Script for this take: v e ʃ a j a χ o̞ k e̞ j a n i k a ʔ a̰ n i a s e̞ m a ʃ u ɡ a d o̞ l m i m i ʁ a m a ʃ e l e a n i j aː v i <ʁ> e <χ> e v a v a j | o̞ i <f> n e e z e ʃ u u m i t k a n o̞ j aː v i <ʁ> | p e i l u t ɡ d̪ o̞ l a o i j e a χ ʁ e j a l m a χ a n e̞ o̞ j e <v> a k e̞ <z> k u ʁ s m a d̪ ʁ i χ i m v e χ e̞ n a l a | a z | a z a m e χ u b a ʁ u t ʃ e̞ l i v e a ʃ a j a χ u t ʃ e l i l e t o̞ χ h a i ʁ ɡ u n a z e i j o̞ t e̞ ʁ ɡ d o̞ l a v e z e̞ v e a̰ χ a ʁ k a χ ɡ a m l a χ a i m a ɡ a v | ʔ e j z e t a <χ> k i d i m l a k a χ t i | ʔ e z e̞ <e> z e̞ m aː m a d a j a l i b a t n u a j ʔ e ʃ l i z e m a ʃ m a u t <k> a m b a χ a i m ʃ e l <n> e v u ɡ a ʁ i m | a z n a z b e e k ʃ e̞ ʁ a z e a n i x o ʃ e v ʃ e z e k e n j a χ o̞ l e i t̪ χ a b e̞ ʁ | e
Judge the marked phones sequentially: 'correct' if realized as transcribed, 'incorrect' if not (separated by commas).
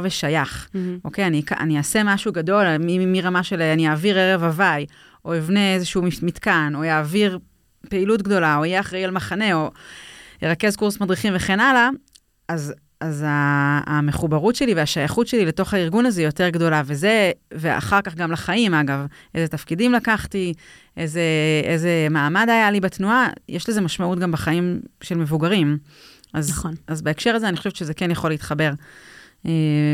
correct, incorrect, incorrect, correct, incorrect, correct, incorrect, correct, incorrect, incorrect